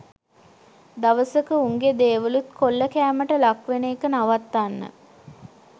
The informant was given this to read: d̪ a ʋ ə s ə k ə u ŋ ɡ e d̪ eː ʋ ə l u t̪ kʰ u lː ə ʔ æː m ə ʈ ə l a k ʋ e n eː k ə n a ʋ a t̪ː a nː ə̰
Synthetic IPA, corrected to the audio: d̪ a ʋ ə s ə k ə u ŋ ɡ e d̪ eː ʋ ə l u t̪ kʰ o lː ə k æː m ə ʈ ə l a k ʋ e n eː k ə n a ʋ a t̪ː a nː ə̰